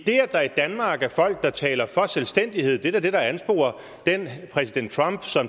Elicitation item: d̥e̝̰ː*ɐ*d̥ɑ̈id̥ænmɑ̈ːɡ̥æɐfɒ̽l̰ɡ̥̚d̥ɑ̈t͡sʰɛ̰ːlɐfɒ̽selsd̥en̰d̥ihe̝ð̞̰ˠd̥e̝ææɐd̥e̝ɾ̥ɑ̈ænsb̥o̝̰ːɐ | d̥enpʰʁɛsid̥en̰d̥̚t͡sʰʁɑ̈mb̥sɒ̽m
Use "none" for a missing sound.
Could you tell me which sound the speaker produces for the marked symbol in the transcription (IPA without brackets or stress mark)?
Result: ɐ